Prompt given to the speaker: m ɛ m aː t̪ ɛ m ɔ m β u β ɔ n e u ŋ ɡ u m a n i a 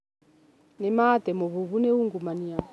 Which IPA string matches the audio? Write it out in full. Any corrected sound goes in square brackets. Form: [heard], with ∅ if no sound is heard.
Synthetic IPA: [n] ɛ m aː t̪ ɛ m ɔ [∅] β u β [u] n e u ŋ ɡ u m a n i a